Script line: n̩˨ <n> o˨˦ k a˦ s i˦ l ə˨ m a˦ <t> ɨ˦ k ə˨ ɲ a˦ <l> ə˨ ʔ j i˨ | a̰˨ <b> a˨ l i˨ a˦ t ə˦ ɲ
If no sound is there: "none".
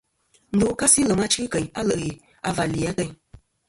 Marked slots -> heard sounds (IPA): d, t͡ʃ, l, v

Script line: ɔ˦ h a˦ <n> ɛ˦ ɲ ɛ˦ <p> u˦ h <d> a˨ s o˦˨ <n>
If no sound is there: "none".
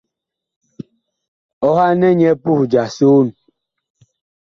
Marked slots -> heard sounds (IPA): n, p, d͡ʒ, n

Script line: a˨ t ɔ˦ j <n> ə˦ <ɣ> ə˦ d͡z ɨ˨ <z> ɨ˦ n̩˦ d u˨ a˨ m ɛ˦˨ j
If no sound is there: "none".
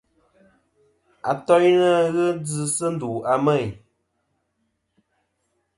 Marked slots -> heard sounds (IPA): n, ɣ, s

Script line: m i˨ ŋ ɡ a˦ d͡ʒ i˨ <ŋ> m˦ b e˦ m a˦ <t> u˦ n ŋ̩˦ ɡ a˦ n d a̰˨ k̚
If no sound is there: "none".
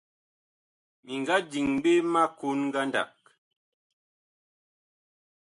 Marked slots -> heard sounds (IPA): ŋ, k

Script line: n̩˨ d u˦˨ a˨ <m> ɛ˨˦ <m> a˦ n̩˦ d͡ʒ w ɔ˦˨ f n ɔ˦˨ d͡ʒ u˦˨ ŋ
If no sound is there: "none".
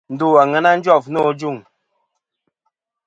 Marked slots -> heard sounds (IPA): ŋ, n

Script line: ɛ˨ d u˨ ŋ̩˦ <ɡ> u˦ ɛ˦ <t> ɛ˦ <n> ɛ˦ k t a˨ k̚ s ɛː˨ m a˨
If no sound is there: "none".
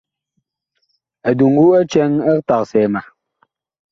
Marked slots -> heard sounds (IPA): ɡ, t͡ʃ, ŋ

